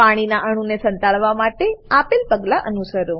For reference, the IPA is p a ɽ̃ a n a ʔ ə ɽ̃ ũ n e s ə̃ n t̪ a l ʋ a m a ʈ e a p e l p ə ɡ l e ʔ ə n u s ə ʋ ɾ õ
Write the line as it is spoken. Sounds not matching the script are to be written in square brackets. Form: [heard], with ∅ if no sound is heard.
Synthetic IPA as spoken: p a ɽ̃ [i] n a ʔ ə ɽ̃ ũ n e s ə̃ n t̪ a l ʋ a m a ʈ e a p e l p ə ɡ l [a] ʔ ə n u s ə [∅] ɾ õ